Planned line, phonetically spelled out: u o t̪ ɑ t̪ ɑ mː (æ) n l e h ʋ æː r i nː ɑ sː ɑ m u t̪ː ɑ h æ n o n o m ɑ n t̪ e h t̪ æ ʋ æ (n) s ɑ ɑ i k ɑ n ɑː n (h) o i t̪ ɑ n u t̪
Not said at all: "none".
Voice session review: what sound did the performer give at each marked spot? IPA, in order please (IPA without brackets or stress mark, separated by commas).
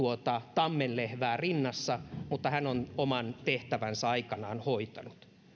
e, n, h